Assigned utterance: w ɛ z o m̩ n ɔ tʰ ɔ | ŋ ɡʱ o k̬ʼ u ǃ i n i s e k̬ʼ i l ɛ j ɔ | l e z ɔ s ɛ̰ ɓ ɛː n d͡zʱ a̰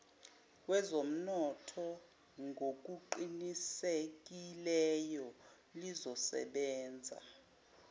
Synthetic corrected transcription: w ɛ z o m̩ n ɔ tʰ ɔ | ŋ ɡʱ o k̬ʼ u ǃ i n i s e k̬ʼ i l ɛ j ɔ | l i z ɔ s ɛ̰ ɓ ɛː n d͡zʱ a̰